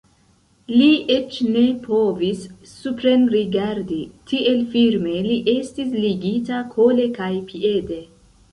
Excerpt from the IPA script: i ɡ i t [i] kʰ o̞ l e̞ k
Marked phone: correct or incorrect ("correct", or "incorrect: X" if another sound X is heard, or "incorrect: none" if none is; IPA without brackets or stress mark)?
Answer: incorrect: a